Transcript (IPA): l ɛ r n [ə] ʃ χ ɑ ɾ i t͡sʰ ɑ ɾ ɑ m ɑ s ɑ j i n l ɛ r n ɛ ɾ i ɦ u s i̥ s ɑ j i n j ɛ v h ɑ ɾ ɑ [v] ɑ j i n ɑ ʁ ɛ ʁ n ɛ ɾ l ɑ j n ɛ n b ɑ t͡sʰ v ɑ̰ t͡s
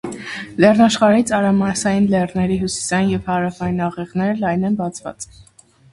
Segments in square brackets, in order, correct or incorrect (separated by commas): incorrect, incorrect